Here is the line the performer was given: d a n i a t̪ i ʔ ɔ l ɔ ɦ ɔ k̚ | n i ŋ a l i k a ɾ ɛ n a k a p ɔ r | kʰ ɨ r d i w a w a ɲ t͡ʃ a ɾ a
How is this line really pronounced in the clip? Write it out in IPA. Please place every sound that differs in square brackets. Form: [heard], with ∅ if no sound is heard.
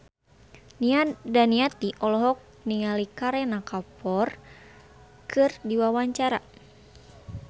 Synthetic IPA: d a n i a t̪ i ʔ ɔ l ɔ ɦ ɔ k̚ | n i ŋ a l i k a ɾ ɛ n a k a p ɔ r | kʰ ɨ r d i w a w a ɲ t͡ʃ a ɾ a